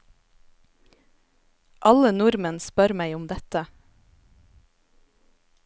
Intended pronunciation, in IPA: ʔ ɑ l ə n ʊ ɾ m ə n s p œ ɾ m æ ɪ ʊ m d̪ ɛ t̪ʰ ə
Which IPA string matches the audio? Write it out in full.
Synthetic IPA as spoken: ʔ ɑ l ə n ʊ ɾ m ə n s p œ ɾ m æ ɪ ʊ m d̪ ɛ t̪ ə